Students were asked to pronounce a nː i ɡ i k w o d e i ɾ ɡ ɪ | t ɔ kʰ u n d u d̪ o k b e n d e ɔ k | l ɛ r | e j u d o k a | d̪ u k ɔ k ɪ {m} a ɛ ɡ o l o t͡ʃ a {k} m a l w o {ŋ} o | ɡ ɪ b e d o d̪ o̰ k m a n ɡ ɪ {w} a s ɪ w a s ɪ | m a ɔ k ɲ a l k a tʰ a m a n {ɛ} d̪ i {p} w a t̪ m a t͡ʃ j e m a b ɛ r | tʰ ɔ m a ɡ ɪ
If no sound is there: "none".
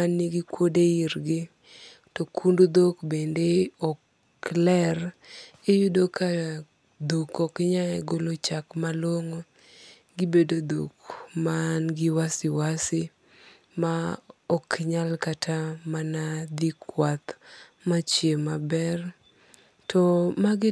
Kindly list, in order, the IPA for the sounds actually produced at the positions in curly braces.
ɲ, k, ŋ, w, a, k

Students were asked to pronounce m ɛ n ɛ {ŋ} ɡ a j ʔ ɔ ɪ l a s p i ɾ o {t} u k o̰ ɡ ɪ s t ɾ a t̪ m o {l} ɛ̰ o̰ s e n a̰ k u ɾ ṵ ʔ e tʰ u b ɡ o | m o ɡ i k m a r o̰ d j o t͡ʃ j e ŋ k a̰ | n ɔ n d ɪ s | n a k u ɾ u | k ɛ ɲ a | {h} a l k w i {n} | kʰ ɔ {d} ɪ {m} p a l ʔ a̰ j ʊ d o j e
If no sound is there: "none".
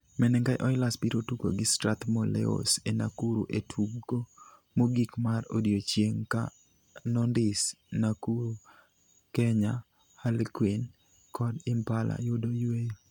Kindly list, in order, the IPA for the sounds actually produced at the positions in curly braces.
ŋ, t, l, h, n, d, m

